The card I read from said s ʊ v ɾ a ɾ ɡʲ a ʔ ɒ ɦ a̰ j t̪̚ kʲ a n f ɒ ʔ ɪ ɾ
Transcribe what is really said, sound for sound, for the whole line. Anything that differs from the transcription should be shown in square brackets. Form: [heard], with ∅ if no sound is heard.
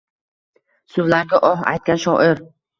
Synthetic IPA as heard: s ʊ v [l] a ɾ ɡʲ a ʔ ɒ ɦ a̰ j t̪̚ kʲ a n [ʃ] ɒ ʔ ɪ ɾ